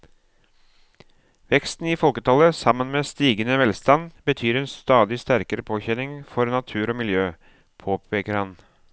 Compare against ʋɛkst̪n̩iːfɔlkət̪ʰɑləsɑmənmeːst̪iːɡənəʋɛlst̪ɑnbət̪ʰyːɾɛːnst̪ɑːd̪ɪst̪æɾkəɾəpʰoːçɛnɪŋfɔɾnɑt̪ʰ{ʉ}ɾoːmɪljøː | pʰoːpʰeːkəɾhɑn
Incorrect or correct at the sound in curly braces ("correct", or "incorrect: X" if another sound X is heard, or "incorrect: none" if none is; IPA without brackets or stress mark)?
incorrect: ʉː